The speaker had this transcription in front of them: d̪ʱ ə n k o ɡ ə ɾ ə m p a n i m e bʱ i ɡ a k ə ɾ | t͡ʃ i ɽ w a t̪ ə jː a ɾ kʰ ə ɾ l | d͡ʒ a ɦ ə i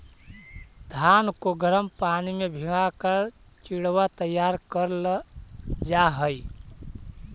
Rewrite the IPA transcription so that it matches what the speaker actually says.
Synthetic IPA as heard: d̪ʱ a n k o ɡ ə ɾ ə m p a n i m e bʱ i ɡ a k ə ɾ | t͡ʃ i ɽ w a t̪ ə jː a ɾ k ə ɾ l | d͡ʒ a ɦ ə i